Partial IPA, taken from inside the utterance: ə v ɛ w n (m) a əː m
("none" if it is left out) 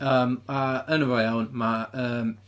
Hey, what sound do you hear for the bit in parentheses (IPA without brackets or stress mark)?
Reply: m